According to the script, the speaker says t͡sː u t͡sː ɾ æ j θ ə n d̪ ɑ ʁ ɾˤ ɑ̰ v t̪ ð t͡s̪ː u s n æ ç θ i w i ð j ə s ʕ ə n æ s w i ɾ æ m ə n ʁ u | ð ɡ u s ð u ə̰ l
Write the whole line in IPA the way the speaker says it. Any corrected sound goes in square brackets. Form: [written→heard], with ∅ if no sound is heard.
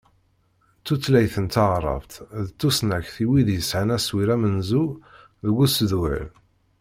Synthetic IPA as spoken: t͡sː u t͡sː [ɾ→l] æ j θ ə n [d̪→t̪] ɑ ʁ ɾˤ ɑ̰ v t̪ ð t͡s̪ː u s n æ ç θ i w i ð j ə s ʕ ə n æ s w i ɾ æ m ə n [ʁ→z] u | ð ɡ u s ð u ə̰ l